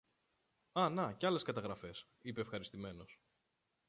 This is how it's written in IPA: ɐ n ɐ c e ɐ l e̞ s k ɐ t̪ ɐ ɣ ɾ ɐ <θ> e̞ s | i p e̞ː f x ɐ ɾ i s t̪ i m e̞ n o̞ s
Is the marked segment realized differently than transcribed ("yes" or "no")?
yes